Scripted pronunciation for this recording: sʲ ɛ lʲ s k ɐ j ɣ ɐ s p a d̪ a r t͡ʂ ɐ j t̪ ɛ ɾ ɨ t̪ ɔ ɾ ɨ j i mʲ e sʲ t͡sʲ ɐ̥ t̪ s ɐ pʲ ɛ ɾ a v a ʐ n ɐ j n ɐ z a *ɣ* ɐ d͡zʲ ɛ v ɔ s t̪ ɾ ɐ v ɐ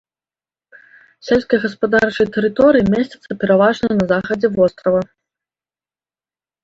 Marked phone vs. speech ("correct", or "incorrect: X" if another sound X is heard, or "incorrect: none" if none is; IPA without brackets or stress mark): incorrect: x